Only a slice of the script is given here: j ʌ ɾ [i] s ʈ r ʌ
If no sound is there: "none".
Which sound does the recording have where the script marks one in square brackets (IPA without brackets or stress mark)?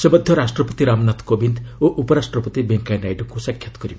a